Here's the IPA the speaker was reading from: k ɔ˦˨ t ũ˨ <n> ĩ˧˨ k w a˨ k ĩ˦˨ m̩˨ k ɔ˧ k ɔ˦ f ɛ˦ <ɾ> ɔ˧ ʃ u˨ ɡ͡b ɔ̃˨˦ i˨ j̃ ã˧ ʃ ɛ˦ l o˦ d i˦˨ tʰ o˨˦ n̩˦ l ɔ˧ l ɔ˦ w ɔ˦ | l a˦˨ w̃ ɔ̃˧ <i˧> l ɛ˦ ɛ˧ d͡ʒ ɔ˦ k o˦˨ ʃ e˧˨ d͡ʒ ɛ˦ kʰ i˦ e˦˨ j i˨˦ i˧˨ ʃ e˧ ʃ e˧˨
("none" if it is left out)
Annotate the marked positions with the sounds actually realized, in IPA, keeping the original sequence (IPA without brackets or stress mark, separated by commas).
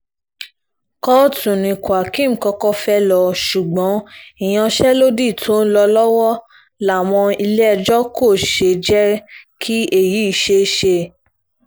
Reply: n, l, i˧